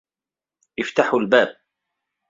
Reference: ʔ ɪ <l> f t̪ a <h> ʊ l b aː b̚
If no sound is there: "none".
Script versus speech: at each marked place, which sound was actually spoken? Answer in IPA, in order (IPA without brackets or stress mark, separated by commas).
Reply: none, ħ